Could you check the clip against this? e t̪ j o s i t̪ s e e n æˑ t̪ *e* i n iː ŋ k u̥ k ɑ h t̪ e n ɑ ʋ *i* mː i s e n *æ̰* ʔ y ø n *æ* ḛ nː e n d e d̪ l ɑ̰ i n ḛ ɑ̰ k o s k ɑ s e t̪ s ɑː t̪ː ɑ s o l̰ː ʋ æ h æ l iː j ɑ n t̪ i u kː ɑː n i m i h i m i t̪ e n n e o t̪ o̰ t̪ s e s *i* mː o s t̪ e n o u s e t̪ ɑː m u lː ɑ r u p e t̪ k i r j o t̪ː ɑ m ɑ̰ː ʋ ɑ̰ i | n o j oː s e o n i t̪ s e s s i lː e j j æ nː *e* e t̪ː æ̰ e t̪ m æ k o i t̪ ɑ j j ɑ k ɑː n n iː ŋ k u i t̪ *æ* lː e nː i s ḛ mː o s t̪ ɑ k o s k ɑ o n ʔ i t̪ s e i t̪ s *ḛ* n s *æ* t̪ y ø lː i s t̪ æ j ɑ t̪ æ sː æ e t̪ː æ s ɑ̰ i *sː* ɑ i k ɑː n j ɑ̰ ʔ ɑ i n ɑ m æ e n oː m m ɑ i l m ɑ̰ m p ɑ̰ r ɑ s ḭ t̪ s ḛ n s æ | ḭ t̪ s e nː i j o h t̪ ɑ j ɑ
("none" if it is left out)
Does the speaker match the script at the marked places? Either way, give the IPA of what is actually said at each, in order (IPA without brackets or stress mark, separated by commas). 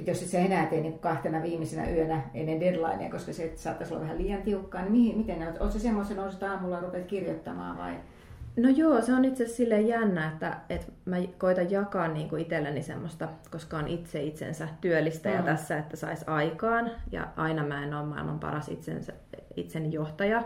e, iː, æ̰, æ, e, æ, e, ḛ, æ, s